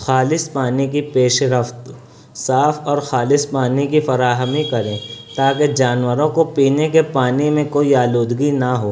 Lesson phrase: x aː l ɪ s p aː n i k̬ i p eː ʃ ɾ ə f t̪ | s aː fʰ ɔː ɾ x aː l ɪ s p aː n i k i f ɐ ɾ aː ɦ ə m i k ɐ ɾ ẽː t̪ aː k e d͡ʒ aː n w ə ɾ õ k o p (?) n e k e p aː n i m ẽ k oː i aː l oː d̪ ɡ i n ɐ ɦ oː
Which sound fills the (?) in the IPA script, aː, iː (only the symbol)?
iː